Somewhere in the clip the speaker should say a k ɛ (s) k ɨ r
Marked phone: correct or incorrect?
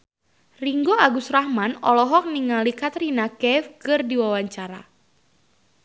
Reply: incorrect